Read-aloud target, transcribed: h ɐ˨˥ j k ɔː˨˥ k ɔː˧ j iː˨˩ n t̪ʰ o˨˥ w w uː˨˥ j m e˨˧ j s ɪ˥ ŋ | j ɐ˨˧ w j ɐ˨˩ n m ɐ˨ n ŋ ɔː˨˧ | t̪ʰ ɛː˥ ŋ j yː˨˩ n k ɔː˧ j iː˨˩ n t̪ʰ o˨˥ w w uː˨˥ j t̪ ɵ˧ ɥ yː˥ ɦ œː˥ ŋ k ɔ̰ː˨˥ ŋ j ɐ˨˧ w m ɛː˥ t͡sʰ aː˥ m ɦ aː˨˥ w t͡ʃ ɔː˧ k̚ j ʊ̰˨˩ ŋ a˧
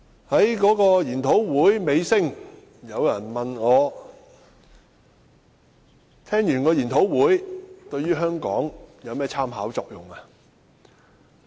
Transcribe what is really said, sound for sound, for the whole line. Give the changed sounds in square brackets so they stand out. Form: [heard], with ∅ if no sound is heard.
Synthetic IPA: h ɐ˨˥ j k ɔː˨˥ k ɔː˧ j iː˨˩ n t̪ʰ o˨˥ w w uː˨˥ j m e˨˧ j s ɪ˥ ŋ | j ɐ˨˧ w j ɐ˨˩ n m ɐ˨ n ŋ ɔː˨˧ | t̪ʰ ɛː˥ ŋ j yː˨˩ n k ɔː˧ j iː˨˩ n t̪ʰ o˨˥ w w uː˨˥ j t̪ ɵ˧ ɥ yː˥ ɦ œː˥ ŋ k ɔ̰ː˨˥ ŋ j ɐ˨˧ w m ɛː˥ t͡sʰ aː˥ m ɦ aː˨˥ w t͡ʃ ɔː˧ k̚ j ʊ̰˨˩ ŋ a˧